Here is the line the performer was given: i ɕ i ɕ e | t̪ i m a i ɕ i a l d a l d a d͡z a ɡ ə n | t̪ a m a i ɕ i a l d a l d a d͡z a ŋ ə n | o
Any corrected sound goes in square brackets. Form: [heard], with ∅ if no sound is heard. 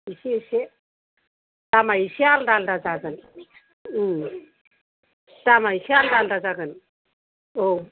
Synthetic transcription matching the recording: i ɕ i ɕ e | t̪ [a] m a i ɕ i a l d a l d a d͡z a ɡ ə n | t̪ a m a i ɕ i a l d a l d a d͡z a [ɡ] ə n | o

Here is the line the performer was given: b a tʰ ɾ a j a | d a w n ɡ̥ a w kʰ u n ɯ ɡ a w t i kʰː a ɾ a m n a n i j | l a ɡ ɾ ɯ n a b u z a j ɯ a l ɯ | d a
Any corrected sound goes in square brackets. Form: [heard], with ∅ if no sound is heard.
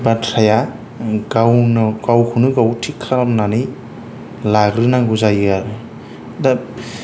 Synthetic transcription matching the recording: b a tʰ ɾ a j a | [ɡ] a w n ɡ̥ a w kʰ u n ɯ ɡ a w [tʰ] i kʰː a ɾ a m n a n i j | l a ɡ ɾ ɯ n a [ɡ] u z a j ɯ a [ɾ] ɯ | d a

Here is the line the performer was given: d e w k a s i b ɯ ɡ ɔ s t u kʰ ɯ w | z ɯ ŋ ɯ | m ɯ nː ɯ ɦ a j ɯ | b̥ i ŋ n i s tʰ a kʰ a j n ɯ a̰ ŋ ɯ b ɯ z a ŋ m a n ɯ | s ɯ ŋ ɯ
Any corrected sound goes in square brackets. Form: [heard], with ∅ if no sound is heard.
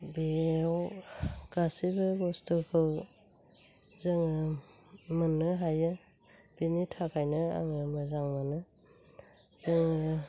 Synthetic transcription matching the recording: [b] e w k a s i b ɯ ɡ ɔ s t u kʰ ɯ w | z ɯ ŋ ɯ | m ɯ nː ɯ ɦ a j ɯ | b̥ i [∅] n i [∅] tʰ a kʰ a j n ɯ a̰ ŋ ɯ [m] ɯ z a ŋ m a n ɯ | [z] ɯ ŋ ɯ

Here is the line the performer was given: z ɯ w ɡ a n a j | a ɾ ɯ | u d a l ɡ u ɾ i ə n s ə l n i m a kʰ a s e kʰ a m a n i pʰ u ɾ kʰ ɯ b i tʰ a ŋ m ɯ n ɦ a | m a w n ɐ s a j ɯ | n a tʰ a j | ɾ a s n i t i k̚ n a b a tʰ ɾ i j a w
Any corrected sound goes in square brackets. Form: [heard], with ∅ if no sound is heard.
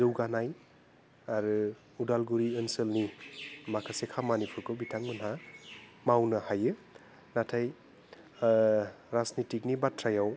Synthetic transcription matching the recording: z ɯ w ɡ a n a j | a ɾ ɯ | u d a l ɡ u ɾ i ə n s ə l n i m a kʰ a s e kʰ a m a n i pʰ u ɾ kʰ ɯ b i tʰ a ŋ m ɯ n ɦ a | m a w n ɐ [h] a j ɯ | n a tʰ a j | ɾ a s n i t i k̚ n [i] b a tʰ ɾ [a] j a w

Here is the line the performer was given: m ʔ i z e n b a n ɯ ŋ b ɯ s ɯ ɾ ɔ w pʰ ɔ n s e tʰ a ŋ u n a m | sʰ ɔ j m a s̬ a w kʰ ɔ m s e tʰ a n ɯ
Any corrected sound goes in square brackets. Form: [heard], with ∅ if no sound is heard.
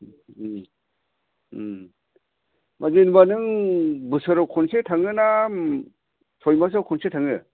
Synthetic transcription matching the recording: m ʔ [a] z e n b a n ɯ ŋ b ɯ s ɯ ɾ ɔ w [kʰ] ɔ n s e tʰ a ŋ [ɯ] n a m | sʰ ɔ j m a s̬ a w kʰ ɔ [n] s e tʰ a [ŋ] ɯ

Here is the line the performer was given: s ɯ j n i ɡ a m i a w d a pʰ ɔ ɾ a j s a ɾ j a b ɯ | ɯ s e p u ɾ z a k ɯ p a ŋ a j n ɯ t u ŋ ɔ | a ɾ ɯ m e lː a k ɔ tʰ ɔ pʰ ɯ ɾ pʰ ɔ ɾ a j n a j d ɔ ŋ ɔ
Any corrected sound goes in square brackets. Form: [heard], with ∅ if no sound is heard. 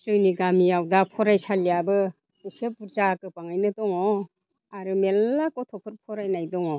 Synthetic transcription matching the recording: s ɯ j n i ɡ a m i a w d a pʰ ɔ ɾ a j s a [l] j a b ɯ | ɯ s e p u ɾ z a k ɯ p a ŋ a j n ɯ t [ɔ] ŋ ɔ | a ɾ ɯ m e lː a k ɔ tʰ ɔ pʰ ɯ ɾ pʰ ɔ ɾ a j n a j d ɔ ŋ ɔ

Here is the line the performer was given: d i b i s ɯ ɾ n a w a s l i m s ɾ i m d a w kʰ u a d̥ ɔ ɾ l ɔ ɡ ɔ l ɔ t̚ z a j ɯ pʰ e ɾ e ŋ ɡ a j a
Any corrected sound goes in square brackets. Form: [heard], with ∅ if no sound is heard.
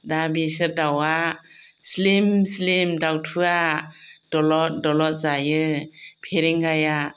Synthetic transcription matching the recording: d [a] b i s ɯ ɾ [d] a w a s l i m s [l] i m d a w [tʰ] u a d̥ ɔ [∅] l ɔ [d] ɔ l ɔ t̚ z a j ɯ pʰ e ɾ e ŋ ɡ a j a

